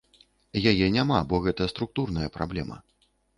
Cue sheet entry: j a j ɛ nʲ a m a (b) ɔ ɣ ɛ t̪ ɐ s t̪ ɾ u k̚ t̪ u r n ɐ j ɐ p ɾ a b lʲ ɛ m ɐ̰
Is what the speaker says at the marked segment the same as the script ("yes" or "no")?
yes